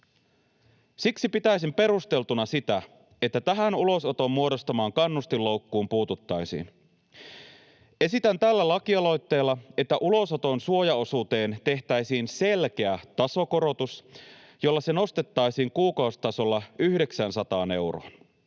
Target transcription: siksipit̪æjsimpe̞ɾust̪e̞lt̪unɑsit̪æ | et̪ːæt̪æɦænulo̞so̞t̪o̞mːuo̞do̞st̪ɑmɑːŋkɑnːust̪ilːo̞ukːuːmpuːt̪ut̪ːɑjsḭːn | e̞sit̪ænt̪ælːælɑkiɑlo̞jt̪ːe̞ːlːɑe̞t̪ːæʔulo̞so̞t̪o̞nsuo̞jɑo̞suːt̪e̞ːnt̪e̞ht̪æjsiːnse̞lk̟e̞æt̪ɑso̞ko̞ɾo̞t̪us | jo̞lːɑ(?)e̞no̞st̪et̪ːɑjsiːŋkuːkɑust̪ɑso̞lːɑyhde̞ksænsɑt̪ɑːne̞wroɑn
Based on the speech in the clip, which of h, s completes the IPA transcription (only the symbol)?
s